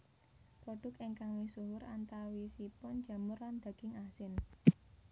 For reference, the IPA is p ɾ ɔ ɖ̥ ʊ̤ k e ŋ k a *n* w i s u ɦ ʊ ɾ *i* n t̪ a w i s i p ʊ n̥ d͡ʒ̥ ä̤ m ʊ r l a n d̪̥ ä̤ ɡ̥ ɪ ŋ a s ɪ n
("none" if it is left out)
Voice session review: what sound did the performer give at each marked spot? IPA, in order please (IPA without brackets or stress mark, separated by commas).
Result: ŋ, a